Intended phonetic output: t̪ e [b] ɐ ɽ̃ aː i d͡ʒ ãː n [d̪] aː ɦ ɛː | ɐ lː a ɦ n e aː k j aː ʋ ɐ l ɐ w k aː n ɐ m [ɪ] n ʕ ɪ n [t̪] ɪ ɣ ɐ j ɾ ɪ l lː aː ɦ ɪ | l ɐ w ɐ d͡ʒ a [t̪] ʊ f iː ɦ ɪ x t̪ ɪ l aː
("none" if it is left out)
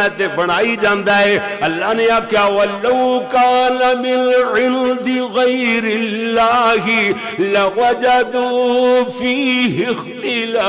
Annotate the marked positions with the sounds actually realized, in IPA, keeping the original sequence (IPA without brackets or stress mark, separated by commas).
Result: b, d̪, ɪ, d̪, d̪